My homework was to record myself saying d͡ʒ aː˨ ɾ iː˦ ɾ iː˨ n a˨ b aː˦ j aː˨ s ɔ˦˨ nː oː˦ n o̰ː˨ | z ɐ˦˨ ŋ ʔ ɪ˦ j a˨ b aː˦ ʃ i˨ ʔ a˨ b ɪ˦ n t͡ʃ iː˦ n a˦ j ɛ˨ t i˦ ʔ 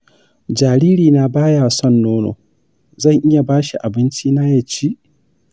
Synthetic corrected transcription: d͡ʒ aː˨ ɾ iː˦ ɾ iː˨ n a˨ b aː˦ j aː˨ s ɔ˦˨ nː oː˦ n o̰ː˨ | z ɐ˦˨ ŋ ʔ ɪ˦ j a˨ b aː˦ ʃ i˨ ʔ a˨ b ɪ˦ n t͡ʃ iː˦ n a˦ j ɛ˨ t͡ʃ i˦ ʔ